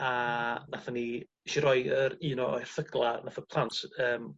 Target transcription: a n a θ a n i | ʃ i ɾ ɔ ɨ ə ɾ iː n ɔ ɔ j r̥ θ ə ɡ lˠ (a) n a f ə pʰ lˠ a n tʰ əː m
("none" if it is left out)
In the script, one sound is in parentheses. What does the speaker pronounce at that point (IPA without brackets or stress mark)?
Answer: a